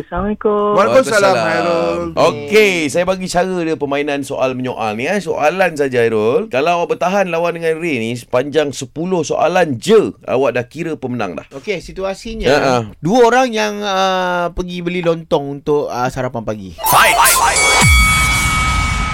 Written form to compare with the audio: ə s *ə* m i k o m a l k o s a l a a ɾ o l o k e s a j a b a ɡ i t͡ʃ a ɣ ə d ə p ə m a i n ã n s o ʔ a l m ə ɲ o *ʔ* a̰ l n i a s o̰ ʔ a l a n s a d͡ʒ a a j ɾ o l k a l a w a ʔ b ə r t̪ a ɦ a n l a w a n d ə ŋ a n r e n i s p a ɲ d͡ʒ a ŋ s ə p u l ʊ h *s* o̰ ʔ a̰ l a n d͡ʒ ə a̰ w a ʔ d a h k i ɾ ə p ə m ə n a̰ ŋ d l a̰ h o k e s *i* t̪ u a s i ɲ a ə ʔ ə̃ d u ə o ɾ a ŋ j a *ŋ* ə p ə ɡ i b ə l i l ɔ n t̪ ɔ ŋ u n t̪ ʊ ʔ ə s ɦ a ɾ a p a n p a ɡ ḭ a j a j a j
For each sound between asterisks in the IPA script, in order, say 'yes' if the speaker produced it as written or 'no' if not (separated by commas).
no, yes, yes, yes, yes